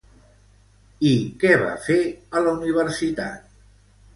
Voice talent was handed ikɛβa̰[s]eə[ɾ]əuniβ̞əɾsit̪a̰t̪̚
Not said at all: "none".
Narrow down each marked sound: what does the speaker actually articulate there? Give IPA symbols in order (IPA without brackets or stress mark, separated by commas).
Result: f, l